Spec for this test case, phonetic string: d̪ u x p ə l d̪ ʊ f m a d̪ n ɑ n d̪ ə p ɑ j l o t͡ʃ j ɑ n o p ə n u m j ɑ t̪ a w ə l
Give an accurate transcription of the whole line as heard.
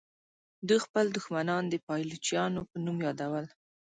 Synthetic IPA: d̪ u x p ə l d̪ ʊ x m a n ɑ n d̪ ə p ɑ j l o t͡ʃ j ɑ n o p ə n u m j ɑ d̪ a w ə l